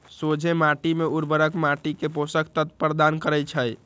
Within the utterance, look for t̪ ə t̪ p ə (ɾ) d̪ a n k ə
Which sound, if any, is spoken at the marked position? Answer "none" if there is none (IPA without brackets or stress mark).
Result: ɾ